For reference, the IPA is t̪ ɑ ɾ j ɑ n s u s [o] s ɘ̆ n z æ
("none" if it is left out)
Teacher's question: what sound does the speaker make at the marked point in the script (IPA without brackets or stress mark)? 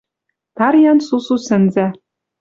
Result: u